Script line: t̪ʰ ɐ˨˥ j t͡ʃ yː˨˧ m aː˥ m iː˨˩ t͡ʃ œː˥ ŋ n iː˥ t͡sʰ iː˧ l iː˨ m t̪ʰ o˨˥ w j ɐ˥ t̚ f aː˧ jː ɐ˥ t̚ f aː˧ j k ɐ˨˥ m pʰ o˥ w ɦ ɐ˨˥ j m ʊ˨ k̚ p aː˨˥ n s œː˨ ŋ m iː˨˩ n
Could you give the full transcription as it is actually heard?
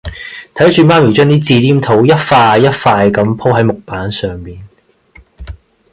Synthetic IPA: t̪ʰ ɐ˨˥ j t͡ʃ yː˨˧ m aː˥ m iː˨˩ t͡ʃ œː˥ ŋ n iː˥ t͡s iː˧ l iː˥ m t̪ʰ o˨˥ w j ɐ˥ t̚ f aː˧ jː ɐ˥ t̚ f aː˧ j k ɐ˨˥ m pʰ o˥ w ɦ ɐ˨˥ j m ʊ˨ k̚ p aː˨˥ n s œː˨ ŋ m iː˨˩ n